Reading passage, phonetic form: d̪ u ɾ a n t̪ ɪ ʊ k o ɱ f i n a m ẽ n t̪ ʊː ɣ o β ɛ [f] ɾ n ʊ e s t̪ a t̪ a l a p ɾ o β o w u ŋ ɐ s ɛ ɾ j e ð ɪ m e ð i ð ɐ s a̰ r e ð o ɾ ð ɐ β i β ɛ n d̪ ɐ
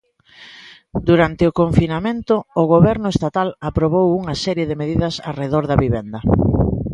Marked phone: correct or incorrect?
incorrect